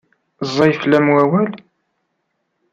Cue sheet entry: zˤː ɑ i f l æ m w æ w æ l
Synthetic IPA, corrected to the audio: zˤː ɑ j f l æ m w æ w æ l